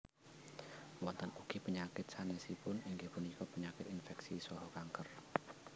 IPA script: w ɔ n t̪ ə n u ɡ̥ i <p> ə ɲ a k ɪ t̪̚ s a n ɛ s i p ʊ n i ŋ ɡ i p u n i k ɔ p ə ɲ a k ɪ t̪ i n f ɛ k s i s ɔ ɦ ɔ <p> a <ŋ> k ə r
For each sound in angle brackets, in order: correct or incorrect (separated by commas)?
correct, incorrect, correct